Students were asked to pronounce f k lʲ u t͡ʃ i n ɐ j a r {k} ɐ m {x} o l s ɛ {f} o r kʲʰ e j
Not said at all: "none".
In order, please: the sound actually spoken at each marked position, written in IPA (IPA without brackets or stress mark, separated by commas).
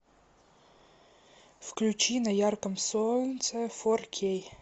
k, s, f